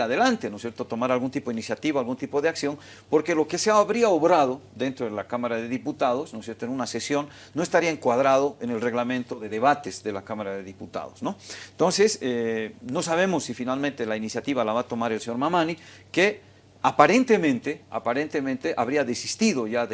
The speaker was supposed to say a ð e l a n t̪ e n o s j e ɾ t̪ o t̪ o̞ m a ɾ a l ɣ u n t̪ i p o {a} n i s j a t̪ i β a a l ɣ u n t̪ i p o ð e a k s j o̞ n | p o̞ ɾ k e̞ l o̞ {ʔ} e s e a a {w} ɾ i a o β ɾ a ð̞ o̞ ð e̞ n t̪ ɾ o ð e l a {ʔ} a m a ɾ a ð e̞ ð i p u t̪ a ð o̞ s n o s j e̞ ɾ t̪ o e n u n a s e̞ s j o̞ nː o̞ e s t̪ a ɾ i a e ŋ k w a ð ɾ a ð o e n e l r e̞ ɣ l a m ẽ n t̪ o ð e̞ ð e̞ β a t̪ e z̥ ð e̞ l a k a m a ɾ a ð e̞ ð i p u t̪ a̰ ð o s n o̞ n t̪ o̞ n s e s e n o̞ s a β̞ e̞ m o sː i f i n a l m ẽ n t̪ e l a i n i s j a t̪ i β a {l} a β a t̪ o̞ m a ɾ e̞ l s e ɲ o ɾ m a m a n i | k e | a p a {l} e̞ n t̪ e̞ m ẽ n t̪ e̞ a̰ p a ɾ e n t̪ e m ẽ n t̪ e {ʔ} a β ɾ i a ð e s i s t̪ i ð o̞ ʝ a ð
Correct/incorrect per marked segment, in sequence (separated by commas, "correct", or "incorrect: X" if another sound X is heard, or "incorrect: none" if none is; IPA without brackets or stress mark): incorrect: i, incorrect: k, incorrect: β, incorrect: k, correct, incorrect: ɾ, correct